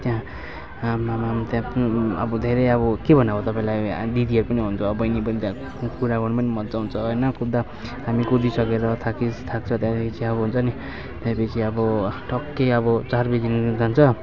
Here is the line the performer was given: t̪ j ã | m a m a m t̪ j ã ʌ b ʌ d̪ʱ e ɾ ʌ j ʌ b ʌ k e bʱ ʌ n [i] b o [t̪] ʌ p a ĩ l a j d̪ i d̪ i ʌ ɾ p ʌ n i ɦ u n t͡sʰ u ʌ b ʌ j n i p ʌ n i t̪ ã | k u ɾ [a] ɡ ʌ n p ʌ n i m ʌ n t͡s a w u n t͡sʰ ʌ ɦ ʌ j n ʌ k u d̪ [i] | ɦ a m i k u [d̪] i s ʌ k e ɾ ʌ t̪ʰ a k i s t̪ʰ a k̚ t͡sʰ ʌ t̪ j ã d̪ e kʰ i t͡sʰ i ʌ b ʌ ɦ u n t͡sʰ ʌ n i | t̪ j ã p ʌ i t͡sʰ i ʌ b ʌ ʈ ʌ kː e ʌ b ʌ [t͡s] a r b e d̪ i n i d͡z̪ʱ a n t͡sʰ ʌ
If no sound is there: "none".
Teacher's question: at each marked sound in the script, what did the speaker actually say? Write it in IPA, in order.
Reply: a, t̪, a, a, d̪, t͡s

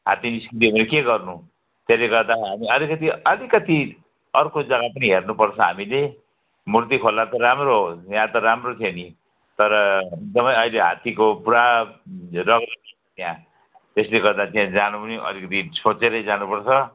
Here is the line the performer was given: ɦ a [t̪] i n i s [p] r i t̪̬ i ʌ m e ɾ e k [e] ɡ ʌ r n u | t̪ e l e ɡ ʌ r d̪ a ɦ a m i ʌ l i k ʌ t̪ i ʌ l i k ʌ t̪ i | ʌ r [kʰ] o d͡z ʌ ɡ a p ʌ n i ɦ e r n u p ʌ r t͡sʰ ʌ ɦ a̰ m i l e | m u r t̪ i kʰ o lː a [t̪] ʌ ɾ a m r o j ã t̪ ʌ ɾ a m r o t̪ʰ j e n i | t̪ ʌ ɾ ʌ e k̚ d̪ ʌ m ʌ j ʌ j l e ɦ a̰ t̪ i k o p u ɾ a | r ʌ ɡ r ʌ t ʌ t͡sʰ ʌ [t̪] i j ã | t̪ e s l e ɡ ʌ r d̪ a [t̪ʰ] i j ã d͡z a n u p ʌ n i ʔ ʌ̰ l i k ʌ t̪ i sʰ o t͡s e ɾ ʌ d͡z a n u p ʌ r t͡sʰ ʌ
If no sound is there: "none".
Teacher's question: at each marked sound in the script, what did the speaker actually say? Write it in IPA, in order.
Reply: t̪, k, e, k, t̪, t̪, t̪

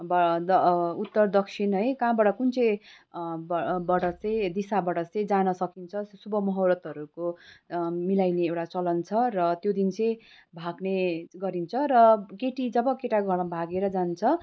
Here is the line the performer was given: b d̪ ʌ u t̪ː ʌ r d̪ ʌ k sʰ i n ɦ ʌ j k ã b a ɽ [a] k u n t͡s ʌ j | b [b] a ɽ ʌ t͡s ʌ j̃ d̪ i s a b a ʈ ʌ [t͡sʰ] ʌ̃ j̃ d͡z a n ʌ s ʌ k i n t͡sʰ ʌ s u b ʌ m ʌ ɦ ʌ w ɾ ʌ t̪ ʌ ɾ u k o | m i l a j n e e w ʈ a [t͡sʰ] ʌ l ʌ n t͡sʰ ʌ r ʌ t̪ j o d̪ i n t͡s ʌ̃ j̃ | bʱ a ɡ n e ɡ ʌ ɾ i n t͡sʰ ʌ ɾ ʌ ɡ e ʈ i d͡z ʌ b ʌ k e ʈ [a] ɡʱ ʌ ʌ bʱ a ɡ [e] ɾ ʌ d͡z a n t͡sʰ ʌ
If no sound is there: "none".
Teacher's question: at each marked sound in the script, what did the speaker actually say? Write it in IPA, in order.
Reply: ʌ, b, t͡s, t͡s, a, e

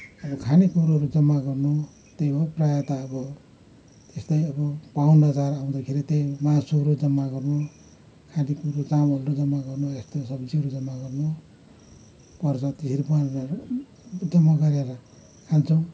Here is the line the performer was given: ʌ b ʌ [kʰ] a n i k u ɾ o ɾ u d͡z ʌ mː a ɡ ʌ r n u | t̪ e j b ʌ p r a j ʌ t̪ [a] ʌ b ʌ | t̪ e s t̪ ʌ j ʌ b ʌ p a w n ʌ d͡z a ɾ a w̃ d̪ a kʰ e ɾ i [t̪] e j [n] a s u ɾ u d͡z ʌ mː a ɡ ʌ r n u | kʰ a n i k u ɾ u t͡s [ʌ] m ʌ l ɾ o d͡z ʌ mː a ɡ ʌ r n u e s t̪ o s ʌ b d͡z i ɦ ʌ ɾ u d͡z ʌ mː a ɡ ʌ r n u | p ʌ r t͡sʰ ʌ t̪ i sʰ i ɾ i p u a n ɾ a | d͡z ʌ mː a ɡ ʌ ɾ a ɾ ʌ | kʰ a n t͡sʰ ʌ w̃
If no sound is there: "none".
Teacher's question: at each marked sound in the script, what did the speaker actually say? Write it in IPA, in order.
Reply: kʰ, a, t̪, m, a

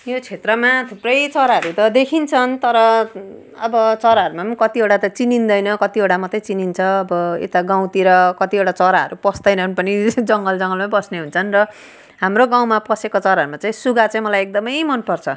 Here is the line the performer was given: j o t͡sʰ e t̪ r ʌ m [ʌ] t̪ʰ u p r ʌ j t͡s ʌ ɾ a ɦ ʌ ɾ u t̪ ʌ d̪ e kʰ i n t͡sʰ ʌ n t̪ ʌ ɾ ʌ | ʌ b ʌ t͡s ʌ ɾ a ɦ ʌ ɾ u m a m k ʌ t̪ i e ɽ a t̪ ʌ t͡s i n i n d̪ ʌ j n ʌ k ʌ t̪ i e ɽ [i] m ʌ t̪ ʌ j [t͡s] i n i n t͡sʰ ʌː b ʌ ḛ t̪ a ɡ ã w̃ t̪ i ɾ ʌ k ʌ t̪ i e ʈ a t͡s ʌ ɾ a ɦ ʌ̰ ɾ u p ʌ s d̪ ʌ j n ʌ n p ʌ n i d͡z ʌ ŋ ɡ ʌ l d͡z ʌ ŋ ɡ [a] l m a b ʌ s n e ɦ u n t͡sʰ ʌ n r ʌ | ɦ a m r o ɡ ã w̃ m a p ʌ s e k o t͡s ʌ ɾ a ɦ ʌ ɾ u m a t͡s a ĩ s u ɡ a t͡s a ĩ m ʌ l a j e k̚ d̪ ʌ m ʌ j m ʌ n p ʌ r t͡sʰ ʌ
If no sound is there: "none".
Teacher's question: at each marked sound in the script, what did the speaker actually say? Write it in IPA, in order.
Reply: a, a, t͡s, ʌ

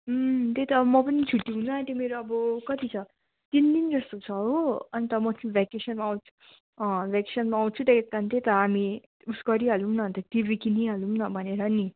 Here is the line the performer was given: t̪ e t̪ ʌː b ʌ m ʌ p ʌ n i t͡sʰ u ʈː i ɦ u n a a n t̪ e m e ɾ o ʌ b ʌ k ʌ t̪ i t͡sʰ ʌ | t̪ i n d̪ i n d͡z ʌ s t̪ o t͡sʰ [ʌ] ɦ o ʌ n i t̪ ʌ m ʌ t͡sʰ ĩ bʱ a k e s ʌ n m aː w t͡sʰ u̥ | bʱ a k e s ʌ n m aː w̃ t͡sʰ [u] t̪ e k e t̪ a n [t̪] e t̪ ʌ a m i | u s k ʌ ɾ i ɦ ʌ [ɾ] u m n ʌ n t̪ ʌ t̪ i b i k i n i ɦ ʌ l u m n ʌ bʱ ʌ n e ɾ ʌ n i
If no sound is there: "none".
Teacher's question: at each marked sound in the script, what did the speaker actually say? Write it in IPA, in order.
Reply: ʌ, u, t̪, l

